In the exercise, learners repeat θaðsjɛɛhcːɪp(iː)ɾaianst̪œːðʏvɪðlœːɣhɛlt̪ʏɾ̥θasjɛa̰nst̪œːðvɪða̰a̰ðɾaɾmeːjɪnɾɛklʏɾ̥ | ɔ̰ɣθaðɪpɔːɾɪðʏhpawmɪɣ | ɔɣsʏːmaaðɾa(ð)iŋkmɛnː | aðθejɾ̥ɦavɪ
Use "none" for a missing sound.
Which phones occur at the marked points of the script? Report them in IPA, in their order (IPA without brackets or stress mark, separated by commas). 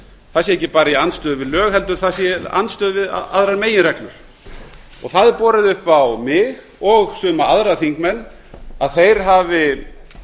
aː, θ